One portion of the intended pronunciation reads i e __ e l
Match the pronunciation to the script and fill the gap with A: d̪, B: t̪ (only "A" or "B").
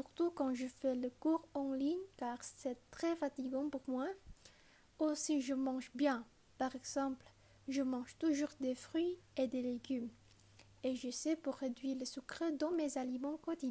A